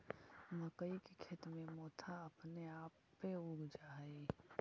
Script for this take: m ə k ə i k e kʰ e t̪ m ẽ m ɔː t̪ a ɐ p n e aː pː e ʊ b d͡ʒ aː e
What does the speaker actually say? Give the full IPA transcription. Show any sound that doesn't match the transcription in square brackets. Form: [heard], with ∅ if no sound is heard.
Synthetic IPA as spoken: m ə k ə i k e kʰ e t̪ m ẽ m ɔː [t̪ʰ] a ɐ p n e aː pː e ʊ [ɡ] d͡ʒ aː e